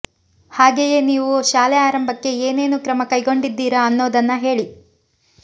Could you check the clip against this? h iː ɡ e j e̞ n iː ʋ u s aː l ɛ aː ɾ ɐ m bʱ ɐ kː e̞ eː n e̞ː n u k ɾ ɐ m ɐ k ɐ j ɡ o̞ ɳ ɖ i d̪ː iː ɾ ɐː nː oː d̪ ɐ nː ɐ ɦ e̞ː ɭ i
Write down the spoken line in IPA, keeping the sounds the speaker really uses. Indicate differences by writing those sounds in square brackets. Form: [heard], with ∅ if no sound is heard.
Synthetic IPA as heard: h [aː] ɡ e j e̞ n iː ʋ u [ʃ] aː l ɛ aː ɾ ɐ m bʱ ɐ kː e̞ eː n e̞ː n u k ɾ ɐ m ɐ k ɐ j ɡ o̞ ɳ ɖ i d̪ː iː ɾ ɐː nː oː d̪ ɐ nː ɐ ɦ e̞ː ɭ i